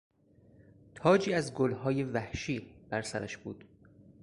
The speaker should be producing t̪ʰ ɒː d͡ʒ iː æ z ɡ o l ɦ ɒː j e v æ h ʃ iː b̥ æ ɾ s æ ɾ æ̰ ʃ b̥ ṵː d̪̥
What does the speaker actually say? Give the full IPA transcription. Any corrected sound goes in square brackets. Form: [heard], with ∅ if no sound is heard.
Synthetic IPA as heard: t̪ʰ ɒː d͡ʒ iː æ z ɡ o l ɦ ɒː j e v æ h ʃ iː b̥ æ ɾ s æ ɾ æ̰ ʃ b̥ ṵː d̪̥